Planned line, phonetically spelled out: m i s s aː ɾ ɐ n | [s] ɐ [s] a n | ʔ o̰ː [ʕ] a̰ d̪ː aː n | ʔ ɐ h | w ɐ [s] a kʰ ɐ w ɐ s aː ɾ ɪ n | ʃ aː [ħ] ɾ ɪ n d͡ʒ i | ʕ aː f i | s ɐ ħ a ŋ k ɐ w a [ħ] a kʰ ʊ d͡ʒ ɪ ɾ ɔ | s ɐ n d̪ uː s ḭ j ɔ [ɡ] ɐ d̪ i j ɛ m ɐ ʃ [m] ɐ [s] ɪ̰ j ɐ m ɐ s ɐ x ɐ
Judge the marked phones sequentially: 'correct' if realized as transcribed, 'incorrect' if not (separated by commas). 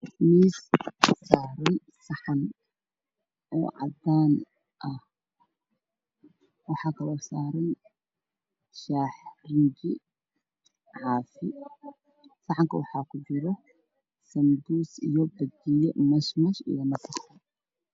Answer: correct, incorrect, correct, incorrect, correct, correct, incorrect, correct, incorrect